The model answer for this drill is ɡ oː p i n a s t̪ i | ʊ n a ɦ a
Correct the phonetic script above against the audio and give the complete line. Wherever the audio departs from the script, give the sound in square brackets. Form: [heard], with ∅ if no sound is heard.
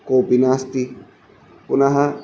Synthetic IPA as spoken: [k] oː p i n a s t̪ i | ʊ n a ɦ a